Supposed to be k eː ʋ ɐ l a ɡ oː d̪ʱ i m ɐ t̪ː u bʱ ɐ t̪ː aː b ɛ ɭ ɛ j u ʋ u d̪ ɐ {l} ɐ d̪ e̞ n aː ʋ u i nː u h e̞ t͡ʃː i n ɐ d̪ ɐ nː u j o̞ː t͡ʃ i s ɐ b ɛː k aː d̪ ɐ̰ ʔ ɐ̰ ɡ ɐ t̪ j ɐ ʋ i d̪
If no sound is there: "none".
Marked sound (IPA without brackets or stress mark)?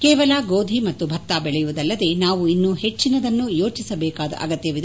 lː